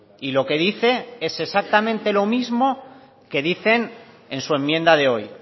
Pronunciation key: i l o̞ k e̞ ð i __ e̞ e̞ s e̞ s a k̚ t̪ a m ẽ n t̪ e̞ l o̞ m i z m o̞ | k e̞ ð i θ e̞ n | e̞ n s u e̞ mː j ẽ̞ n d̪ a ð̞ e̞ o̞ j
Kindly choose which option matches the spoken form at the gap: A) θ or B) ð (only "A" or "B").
A